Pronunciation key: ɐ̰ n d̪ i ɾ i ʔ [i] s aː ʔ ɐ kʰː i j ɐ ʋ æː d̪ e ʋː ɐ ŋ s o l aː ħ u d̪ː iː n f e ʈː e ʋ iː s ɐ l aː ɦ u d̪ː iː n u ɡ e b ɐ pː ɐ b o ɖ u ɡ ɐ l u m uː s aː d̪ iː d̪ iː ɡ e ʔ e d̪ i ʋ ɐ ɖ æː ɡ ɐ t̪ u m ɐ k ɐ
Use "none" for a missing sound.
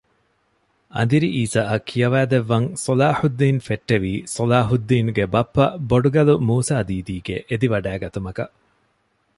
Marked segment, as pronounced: iː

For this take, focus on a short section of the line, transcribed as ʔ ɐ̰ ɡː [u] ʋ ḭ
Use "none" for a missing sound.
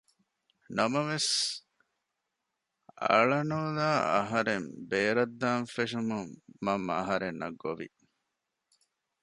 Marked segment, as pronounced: o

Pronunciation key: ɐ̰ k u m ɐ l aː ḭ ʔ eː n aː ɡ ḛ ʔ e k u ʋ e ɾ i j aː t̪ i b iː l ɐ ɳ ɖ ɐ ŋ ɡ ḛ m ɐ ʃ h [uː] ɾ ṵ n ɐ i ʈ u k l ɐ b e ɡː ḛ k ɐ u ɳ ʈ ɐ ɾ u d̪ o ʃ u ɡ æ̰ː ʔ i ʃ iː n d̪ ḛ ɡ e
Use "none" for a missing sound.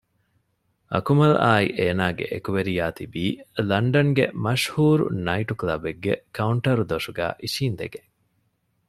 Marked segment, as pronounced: uː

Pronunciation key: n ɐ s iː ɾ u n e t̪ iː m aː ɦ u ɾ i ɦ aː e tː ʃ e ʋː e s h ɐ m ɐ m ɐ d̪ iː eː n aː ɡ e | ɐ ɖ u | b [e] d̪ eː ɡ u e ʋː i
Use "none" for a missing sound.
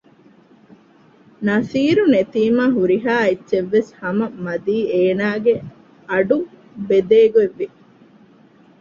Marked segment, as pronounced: e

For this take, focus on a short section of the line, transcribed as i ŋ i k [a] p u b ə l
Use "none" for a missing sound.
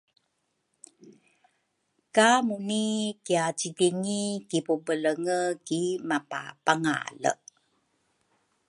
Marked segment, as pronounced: i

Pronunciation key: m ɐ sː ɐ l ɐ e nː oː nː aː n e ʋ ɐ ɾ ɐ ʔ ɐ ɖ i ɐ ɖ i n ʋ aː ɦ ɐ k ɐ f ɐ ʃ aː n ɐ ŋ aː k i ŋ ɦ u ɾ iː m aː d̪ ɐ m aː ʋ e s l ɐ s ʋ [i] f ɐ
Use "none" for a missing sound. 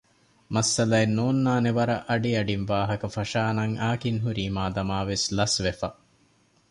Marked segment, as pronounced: e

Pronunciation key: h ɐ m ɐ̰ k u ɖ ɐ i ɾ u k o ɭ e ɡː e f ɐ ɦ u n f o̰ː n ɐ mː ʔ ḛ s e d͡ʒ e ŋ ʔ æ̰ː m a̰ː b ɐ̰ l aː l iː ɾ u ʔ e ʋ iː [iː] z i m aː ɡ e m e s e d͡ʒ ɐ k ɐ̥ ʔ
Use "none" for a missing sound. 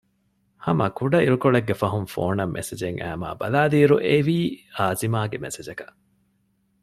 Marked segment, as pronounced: aː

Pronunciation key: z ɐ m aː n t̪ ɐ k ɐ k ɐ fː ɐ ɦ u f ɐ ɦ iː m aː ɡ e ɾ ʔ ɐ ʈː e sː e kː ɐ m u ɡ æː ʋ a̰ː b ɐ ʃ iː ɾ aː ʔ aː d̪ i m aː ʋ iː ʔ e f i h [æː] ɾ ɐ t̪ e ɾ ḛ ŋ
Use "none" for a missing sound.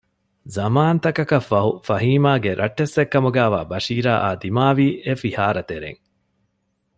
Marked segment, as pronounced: aː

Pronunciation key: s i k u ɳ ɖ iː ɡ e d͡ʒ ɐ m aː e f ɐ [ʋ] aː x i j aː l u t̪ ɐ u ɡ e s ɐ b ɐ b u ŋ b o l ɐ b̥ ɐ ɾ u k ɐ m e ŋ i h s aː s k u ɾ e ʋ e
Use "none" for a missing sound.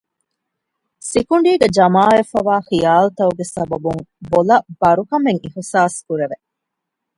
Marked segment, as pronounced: ʋ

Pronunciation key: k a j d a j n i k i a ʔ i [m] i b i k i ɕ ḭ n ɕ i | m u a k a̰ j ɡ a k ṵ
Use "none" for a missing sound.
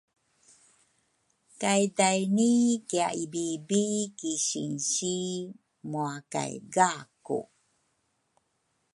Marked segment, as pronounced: b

